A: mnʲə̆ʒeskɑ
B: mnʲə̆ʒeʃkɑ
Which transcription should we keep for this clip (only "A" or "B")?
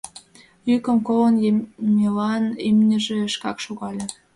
B